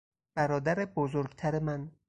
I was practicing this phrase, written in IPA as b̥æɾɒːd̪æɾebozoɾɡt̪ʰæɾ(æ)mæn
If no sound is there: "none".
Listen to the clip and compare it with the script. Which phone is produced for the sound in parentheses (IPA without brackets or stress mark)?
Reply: e